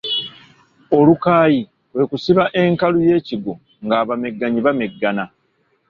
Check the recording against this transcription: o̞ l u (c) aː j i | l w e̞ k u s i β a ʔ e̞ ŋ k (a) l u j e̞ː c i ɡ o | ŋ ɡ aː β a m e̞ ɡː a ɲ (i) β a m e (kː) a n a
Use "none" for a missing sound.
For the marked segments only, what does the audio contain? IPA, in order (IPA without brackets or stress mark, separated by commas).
k, a, i, ɡː